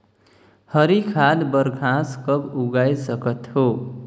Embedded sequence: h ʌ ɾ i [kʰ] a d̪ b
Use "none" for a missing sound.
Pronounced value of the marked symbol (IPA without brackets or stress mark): kʰ